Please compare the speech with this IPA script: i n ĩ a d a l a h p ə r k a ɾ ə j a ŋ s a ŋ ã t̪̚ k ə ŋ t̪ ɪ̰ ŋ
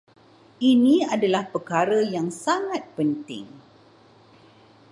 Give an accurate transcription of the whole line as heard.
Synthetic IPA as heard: i n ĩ a d a l a h p ə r k a ɾ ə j a ŋ s a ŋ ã t̪̚ p ə n t̪ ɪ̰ ŋ